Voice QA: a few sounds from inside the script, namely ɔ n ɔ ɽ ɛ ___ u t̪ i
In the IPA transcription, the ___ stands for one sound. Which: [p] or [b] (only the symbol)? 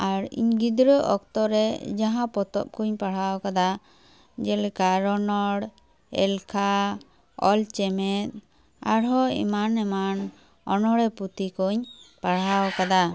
p